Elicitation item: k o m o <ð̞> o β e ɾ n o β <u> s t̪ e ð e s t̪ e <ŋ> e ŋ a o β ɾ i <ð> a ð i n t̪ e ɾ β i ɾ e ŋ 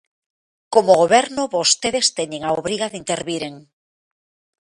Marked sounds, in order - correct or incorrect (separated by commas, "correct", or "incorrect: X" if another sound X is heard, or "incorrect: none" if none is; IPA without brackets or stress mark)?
incorrect: ɣ̞, incorrect: o, incorrect: ɲ, incorrect: ɣ